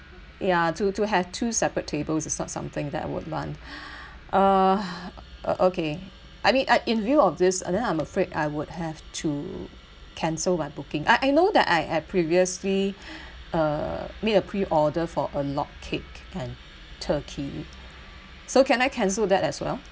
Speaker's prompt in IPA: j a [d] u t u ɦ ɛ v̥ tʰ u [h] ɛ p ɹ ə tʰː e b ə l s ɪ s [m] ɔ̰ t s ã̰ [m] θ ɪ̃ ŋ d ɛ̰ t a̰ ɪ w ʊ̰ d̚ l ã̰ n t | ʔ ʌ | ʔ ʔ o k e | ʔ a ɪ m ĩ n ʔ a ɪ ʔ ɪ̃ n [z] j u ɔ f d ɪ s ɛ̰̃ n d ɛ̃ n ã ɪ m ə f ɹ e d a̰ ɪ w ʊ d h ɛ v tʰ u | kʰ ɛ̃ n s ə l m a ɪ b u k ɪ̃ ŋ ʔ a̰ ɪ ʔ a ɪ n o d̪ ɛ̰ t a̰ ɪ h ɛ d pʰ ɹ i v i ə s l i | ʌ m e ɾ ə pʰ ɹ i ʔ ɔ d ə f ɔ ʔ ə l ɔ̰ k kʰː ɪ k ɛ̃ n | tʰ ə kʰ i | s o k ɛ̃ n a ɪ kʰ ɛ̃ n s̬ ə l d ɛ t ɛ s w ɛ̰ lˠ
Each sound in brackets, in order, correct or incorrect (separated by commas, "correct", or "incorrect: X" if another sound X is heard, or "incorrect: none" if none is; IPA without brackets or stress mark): incorrect: t, incorrect: s, incorrect: n, correct, incorrect: v